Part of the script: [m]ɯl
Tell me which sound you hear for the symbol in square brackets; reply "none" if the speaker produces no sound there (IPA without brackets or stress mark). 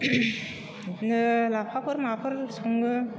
n